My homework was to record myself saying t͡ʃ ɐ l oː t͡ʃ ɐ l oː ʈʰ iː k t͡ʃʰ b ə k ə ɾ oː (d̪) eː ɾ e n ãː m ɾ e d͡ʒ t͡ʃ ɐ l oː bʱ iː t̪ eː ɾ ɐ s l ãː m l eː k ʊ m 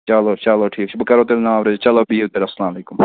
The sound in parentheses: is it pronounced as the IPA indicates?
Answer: no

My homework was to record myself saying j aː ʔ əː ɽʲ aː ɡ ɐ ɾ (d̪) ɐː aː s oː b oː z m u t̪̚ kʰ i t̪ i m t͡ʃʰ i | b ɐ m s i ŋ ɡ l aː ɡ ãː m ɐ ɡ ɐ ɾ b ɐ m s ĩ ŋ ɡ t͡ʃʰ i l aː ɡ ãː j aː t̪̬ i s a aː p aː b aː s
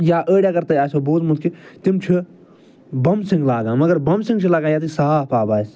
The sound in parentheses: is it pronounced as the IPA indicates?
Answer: no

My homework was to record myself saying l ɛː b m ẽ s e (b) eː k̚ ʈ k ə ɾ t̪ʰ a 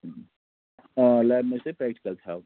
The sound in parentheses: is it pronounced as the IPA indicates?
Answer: no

